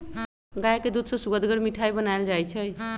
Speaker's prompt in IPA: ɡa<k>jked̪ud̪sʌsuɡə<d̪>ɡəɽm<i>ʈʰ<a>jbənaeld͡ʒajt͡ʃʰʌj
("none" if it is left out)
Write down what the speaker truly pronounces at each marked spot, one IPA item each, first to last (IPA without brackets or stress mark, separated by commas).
none, d̪, i, a